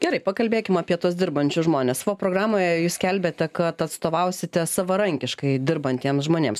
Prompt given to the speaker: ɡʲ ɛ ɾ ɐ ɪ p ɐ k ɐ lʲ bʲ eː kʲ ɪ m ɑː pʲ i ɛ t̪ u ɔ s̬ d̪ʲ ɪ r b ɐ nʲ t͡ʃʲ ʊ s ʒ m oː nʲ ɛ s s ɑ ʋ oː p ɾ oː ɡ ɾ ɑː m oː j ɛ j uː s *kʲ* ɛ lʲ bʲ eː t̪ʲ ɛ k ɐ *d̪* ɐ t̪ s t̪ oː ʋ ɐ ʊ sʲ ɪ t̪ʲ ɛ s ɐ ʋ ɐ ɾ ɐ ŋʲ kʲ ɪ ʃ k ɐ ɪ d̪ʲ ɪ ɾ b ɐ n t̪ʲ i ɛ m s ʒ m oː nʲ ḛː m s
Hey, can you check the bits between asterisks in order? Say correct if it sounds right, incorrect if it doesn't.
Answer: correct, incorrect: t̪

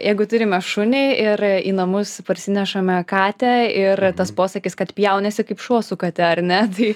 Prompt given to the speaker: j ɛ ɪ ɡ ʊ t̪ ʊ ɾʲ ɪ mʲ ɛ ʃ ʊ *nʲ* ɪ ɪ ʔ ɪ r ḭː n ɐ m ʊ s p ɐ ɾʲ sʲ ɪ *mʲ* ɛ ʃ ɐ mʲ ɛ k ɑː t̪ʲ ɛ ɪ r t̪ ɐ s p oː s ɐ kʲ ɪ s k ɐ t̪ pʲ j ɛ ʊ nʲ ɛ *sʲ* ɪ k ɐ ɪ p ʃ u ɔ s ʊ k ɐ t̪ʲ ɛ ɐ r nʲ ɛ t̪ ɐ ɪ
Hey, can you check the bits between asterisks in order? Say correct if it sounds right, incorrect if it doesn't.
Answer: correct, incorrect: nʲ, correct

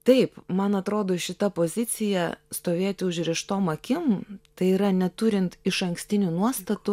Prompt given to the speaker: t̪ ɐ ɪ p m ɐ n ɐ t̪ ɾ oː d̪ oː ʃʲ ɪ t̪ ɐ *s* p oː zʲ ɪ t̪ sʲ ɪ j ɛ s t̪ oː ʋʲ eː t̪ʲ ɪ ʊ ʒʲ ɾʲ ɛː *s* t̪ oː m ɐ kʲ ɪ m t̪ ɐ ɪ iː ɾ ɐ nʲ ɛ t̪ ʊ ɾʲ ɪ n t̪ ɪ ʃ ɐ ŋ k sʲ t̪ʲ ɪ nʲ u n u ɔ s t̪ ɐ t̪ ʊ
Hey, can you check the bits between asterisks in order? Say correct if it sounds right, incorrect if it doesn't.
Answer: incorrect: none, incorrect: ʃ

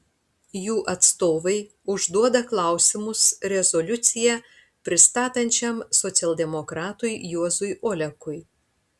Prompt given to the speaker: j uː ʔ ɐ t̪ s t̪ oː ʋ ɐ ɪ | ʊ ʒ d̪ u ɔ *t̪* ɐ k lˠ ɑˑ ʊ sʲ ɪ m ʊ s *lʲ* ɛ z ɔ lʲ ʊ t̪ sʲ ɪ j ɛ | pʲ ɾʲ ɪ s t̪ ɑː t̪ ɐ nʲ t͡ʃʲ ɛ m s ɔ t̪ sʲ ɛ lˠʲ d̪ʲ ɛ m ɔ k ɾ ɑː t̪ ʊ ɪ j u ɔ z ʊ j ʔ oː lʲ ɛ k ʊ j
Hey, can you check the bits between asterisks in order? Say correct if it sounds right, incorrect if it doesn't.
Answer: incorrect: d̪, incorrect: ɾʲ

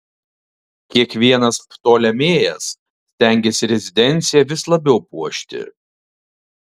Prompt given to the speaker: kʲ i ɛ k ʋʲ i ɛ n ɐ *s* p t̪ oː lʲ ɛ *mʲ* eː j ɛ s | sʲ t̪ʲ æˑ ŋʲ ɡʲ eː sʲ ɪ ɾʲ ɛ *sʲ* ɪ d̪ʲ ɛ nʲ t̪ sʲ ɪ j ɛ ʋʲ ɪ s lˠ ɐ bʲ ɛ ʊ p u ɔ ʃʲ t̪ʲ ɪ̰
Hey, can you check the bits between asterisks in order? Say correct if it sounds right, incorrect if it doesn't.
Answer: correct, correct, incorrect: zʲ

